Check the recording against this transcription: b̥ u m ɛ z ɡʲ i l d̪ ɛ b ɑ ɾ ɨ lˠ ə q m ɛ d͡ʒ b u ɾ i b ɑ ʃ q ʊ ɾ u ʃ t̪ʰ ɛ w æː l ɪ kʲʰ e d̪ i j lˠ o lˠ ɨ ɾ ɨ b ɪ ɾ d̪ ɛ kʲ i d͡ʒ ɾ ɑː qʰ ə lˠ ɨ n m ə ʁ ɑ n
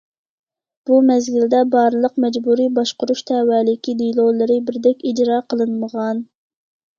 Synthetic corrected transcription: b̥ u m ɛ z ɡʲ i l d̪ ɛ b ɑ ɾ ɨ lˠ ə q m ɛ d͡ʒ b u ɾ i b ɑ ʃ q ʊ ɾ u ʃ t̪ʰ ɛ w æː l ɪ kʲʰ i d̪ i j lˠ o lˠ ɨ ɾ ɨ b ɪ ɾ d̪ ɛ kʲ i d͡ʒ ɾ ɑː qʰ ə lˠ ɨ n m ə ʁ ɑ n

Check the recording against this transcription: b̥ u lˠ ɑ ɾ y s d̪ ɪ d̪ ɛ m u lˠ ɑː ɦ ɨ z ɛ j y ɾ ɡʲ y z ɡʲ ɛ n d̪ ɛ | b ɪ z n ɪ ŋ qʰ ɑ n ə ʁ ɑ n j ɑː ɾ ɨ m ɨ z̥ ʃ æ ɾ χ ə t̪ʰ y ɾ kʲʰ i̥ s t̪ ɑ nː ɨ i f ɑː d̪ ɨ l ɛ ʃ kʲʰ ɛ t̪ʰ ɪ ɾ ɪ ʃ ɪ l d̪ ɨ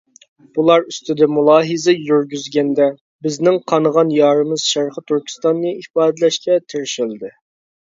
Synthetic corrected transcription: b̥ u lˠ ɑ ɾ y s t̪ ɪ d̪ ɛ m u lˠ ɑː ɦ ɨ z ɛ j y ɾ ɡʲ y z ɡʲ ɛ n d̪ ɛ | b ɪ z n ɪ ŋ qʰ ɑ n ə ʁ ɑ n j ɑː ɾ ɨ m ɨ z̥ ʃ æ ɾ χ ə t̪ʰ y ɾ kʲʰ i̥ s t̪ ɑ nː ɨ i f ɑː d̪ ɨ l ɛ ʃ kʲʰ ɛ t̪ʰ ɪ ɾ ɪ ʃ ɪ l d̪ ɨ

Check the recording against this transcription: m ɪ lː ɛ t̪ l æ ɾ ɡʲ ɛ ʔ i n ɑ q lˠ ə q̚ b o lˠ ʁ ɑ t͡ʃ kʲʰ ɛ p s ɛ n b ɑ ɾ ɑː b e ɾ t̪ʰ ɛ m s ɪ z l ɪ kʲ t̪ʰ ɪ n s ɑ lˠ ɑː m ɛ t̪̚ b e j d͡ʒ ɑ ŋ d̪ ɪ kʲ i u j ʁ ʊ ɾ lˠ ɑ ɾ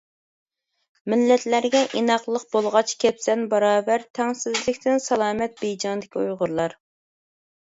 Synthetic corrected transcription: m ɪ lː ɛ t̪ l æ ɾ ɡʲ ɛ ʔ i n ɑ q lˠ ə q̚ b o lˠ ʁ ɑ t͡ʃ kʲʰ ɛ p s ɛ n b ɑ ɾ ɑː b æ ɾ t̪ʰ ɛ ŋ s ɪ z l ɪ kʲ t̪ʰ ɪ n s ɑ lˠ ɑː m ɛ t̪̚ b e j d͡ʒ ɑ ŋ d̪ ɪ kʲ i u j ʁ ʊ ɾ lˠ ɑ ɾ

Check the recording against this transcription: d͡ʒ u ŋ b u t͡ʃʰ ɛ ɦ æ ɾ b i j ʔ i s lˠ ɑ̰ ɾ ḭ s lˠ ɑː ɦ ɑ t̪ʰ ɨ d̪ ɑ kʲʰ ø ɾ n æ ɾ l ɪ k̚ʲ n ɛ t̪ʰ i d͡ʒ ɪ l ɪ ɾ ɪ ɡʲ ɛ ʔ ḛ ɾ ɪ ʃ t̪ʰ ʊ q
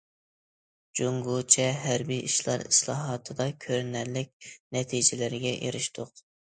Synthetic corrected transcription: d͡ʒ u ŋ ɡ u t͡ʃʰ ɛ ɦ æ ɾ b i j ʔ i ʃ lˠ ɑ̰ ɾ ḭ s lˠ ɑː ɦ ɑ t̪ʰ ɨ d̪ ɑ kʲʰ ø ɾ n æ ɾ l ɪ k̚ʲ n ɛ t̪ʰ i d͡ʒ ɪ l ɪ ɾ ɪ ɡʲ ɛ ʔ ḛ ɾ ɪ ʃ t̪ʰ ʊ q

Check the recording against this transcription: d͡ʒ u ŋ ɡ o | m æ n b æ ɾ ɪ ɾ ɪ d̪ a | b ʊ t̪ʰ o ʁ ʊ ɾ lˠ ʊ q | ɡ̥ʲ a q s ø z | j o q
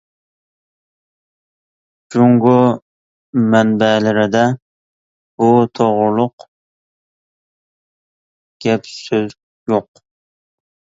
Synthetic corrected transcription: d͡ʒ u ŋ ɡ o | m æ n b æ l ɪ ɾ ɪ d̪ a | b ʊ t̪ʰ o ʁ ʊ ɾ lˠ ʊ q | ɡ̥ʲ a p s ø z | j o q

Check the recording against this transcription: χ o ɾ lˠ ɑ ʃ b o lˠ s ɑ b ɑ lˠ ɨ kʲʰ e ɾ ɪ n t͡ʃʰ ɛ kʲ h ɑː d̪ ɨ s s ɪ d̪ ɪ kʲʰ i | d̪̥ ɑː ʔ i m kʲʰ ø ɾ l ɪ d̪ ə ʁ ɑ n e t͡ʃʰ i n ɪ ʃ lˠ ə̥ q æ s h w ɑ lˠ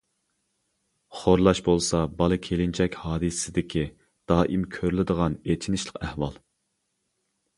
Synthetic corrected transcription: χ o ɾ lˠ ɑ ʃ b o lˠ s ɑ b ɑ lˠ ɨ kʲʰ e l ɪ n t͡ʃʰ ɛ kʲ h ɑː d̪ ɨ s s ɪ d̪ ɪ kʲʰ i | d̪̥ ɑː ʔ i m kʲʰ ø ɾ l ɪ d̪ ə ʁ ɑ n e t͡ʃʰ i n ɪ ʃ lˠ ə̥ q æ h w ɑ lˠ

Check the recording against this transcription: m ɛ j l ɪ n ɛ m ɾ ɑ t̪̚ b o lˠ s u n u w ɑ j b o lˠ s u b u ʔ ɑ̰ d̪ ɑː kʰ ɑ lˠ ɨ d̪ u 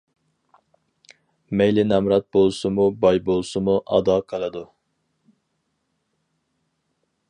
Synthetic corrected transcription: m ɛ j l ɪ n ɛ m ɾ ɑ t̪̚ b o lˠ s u m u b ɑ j b o lˠ s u m u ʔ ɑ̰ d̪ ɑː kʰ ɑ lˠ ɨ d̪ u

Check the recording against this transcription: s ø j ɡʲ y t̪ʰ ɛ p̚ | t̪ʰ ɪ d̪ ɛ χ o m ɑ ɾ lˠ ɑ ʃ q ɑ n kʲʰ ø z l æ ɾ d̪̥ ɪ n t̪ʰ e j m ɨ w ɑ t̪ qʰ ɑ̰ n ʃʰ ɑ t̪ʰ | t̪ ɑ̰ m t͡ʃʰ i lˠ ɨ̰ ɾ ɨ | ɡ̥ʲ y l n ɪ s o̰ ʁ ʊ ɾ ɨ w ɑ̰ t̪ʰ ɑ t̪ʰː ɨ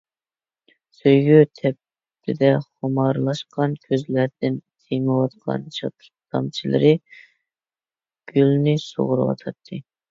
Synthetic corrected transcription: s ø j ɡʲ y t̪ʰ ɛ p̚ | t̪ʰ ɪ d̪ ɛ χ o m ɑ ɾ lˠ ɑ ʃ q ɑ n kʲʰ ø z l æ ɾ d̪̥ ɪ n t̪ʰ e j m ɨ w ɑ t̪ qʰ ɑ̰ n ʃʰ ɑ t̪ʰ | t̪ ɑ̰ m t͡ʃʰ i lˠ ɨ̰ ɾ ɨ | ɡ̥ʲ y l n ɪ s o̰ ʁ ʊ ɾ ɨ w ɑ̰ t̪ʰ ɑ t̪ʰː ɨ

